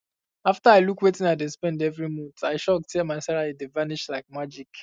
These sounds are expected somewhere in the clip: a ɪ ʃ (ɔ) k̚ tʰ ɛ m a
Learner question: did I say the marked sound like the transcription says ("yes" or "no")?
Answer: yes